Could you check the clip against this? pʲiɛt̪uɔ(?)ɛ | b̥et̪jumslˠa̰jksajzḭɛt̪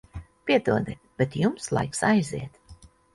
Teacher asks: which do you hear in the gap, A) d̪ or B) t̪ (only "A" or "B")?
A